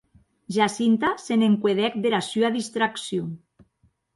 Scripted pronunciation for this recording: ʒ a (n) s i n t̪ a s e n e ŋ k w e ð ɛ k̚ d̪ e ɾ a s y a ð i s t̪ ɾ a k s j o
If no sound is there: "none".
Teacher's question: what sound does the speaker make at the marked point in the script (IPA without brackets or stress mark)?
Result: none